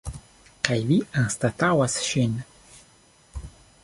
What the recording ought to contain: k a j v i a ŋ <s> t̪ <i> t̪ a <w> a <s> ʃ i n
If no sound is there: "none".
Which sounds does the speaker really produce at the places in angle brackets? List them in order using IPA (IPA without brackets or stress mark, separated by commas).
s, a, w, s